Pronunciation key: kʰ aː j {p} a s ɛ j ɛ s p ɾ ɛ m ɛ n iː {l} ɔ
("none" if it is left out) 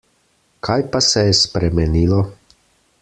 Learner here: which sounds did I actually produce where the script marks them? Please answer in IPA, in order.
p, l

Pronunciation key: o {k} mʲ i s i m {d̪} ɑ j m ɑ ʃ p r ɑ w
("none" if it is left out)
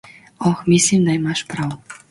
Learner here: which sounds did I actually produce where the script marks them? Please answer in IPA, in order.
x, d̪

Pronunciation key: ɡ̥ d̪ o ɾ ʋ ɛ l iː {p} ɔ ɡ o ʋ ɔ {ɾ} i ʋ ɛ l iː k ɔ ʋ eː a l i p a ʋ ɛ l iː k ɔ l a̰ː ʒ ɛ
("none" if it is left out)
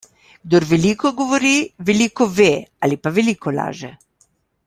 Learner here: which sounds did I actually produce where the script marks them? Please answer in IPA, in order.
k, ɾ

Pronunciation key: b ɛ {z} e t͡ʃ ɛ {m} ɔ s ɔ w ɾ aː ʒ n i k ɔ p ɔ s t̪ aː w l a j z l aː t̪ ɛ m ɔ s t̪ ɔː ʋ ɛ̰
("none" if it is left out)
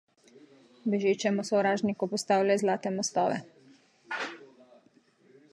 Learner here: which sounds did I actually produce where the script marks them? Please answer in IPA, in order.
ʒ, m

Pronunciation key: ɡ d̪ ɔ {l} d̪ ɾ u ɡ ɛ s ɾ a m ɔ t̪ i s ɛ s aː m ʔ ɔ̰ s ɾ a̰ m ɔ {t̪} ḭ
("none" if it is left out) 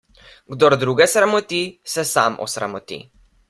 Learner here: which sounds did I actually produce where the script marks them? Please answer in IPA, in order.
ɾ, t̪

